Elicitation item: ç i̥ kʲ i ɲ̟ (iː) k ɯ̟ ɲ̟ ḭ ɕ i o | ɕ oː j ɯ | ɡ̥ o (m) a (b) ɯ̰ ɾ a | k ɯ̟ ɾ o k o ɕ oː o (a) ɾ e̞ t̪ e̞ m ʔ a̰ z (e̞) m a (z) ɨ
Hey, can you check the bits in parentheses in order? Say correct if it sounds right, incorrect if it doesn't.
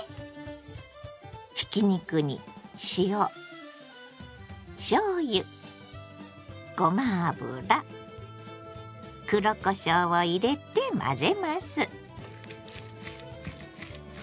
incorrect: i, correct, correct, incorrect: i, correct, incorrect: s

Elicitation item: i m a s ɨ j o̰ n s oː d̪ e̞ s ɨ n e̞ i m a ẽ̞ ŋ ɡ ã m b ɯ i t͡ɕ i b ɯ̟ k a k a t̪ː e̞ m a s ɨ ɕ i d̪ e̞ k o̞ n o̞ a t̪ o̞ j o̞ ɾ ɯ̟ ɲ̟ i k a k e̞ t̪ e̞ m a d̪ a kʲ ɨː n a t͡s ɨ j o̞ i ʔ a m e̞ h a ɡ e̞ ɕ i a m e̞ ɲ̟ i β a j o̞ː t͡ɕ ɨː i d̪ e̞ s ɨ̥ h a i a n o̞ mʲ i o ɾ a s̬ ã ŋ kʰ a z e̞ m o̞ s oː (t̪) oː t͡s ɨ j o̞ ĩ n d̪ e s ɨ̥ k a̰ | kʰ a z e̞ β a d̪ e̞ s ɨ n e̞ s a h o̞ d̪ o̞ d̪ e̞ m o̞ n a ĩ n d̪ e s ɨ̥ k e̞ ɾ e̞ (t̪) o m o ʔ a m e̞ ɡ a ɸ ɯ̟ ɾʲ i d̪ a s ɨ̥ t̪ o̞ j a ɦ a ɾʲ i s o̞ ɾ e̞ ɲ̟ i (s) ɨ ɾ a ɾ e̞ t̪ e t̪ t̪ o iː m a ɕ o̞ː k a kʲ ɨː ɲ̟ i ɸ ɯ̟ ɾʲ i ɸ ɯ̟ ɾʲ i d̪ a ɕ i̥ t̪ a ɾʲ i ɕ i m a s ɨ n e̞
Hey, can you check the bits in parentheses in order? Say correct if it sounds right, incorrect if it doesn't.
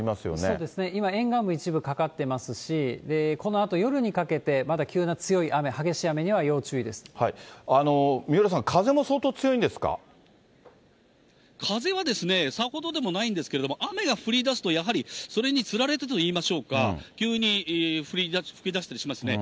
correct, incorrect: d̪, incorrect: t͡s

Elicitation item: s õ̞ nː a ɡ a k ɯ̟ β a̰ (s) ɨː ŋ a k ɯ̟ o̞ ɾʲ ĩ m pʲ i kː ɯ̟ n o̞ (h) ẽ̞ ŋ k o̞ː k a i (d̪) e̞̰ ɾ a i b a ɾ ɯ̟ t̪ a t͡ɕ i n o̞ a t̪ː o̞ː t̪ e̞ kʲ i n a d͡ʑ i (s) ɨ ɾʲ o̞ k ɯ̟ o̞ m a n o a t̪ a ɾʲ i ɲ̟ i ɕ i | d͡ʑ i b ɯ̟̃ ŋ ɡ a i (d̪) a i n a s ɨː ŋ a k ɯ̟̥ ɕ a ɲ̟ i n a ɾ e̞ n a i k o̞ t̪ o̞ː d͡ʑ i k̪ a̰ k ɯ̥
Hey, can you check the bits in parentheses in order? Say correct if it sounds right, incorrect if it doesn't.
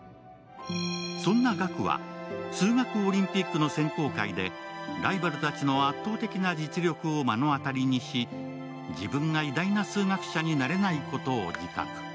correct, incorrect: s, correct, incorrect: t͡s, correct

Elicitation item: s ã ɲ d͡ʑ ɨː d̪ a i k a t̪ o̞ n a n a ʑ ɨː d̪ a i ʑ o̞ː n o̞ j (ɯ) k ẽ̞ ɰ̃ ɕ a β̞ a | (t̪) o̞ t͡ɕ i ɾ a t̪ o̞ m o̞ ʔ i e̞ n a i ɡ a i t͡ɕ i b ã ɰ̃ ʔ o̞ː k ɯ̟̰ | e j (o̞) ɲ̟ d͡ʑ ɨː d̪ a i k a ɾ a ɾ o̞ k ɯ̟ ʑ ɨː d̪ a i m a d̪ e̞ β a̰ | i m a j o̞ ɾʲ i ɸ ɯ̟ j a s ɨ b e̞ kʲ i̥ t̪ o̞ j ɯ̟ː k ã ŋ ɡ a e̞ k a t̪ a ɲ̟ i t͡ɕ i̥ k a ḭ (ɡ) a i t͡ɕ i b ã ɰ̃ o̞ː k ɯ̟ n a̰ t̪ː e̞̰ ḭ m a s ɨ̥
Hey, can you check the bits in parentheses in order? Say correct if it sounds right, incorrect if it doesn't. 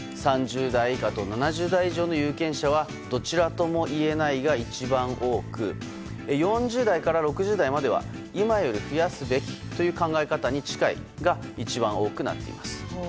incorrect: ɯː, incorrect: d̪, incorrect: õ̞, correct

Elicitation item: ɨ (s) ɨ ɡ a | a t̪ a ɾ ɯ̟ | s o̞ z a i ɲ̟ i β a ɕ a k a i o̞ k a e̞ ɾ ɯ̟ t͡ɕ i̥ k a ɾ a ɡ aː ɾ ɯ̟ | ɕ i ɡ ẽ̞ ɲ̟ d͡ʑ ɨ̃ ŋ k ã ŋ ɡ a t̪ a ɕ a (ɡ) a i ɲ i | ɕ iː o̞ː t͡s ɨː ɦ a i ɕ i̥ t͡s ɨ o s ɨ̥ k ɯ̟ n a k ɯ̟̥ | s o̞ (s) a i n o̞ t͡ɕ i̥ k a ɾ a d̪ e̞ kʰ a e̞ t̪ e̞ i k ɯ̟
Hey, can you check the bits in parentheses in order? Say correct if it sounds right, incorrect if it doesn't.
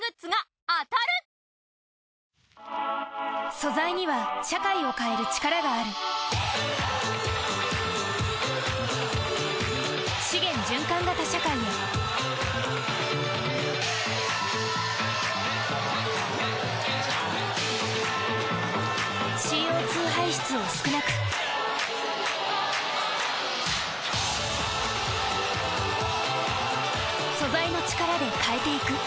incorrect: t͡s, incorrect: k, incorrect: z

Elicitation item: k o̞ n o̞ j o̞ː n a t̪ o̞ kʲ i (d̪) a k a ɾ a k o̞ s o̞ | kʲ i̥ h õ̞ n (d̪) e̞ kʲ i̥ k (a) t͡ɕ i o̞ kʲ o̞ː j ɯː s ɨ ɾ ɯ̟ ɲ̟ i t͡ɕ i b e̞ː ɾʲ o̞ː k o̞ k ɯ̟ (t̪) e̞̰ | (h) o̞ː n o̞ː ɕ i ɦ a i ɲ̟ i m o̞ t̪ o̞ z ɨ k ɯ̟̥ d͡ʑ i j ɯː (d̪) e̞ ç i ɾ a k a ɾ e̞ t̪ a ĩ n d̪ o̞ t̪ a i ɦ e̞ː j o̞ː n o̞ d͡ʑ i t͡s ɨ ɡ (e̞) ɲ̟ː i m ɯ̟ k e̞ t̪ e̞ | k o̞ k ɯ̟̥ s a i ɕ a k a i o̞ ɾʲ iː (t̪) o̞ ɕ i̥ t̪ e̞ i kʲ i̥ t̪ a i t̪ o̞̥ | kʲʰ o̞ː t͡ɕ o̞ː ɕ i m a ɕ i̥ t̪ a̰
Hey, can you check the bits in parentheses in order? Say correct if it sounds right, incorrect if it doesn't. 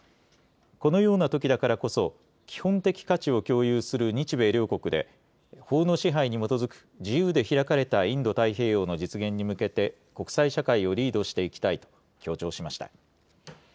correct, incorrect: t̪, correct, incorrect: d̪, correct, correct, incorrect: ẽ̞, incorrect: d̪

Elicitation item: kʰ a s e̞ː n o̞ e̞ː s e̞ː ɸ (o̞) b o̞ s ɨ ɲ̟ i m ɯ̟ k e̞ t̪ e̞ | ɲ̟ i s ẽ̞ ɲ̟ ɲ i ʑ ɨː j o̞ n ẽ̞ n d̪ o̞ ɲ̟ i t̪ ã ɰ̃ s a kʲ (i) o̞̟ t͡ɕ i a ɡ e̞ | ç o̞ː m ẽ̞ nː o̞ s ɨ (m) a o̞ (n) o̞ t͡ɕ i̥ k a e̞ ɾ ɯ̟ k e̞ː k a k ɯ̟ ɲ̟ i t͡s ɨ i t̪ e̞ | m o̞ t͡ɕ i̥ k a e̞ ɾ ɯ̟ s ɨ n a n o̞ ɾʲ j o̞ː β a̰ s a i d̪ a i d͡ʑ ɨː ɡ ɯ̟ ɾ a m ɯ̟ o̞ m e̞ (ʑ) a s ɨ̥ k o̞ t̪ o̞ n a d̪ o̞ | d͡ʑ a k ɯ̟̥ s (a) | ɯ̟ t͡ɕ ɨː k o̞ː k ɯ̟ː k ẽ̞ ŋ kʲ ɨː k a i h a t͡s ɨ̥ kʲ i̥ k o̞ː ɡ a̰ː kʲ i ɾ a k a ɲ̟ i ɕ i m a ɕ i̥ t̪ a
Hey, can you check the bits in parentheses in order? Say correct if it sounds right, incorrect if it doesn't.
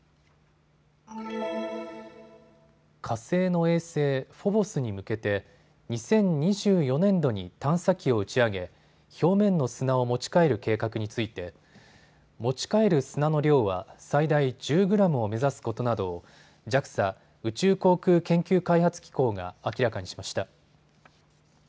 correct, correct, incorrect: n, incorrect: m, incorrect: z, correct

